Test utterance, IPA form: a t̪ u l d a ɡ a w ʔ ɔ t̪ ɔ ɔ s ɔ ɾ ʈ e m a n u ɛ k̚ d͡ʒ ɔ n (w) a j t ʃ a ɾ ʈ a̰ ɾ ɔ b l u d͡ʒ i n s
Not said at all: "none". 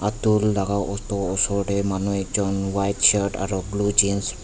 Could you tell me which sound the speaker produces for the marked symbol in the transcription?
w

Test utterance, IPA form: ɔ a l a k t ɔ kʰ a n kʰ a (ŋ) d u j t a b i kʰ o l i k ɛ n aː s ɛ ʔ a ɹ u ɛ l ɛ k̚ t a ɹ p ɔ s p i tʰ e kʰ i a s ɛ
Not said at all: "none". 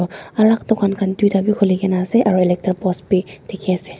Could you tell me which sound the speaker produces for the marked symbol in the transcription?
n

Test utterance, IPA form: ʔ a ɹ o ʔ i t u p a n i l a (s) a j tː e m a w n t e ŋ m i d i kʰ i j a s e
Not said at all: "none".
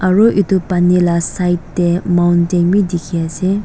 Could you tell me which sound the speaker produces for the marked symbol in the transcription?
s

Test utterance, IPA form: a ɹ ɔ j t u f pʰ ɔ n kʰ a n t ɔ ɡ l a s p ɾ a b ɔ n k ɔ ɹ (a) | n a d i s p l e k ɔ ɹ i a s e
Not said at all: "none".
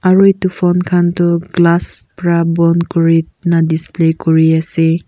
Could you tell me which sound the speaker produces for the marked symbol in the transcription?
i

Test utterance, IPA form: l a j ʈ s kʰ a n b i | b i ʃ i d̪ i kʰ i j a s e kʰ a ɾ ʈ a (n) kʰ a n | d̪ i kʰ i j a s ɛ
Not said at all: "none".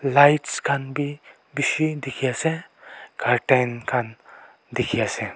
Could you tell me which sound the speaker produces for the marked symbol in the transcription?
n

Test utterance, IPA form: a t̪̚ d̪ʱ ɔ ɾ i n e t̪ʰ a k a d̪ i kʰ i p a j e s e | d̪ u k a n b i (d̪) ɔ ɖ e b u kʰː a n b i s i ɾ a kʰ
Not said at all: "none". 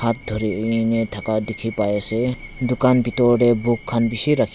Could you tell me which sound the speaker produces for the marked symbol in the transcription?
t̪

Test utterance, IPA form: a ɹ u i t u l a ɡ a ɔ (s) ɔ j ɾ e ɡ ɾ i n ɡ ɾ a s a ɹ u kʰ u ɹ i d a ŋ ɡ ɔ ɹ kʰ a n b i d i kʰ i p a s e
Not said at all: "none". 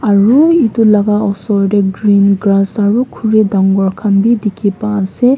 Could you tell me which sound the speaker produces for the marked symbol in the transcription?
s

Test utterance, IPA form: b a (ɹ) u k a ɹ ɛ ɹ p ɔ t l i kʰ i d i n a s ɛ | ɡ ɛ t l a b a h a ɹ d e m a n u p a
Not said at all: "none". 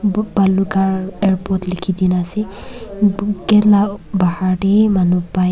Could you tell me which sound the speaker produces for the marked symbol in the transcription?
l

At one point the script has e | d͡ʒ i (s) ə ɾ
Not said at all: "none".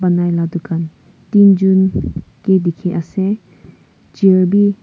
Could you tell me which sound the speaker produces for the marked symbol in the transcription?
none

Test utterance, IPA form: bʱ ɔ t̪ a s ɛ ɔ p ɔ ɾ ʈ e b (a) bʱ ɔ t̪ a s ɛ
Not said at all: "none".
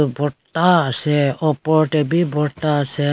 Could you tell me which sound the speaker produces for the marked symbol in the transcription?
i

